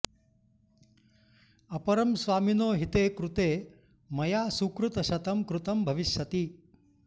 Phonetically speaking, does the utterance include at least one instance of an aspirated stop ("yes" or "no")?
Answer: no